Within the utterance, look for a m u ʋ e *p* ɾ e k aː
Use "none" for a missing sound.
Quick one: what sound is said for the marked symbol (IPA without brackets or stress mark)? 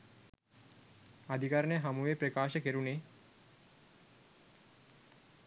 p